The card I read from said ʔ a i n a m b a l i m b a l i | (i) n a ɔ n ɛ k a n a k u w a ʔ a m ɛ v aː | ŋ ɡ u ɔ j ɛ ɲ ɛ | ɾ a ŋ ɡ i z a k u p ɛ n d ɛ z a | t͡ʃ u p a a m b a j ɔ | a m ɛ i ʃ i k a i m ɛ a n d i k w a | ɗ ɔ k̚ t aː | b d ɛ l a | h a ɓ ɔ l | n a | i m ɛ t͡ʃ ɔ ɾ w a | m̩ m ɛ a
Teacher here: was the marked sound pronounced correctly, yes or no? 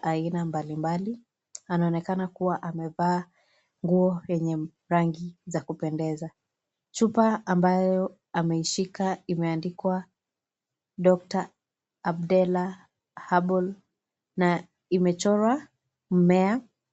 no